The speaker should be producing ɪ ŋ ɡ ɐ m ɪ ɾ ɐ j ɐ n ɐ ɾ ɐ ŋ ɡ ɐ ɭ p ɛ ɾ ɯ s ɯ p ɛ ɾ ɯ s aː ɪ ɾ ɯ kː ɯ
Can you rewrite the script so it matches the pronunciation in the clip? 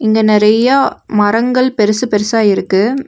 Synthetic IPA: ɪ ŋ ɡ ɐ n ɪ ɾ ɐ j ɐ m ɐ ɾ ɐ ŋ ɡ ɐ ɭ p ɛ ɾ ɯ s ɯ p ɛ ɾ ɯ s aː ɪ ɾ ɯ kː ɯ